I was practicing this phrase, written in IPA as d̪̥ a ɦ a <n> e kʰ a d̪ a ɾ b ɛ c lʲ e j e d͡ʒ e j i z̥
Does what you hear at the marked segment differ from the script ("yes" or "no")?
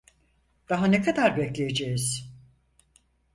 no